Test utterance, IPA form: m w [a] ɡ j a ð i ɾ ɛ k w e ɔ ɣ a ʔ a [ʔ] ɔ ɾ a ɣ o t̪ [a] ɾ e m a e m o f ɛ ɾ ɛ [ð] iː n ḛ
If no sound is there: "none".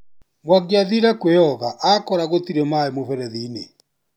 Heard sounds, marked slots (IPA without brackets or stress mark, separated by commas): a, k, i, ð